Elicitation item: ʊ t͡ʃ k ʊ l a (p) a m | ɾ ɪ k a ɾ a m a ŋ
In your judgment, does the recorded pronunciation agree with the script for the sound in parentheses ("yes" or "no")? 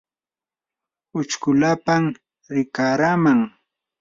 yes